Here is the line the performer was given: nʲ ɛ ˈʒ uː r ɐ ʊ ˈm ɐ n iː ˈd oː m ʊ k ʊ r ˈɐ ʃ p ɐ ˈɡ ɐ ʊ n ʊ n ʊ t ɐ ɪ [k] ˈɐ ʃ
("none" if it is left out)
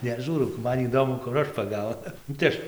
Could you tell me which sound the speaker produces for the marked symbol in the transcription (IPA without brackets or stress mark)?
none